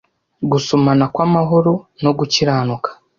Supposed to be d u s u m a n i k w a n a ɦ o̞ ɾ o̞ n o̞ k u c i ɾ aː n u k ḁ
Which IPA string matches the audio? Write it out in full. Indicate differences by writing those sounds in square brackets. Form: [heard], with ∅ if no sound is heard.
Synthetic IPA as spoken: [ɡ] u s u m a n [a] k w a [m] a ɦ o̞ ɾ o̞ n o̞ [ɡ] u c i ɾ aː n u k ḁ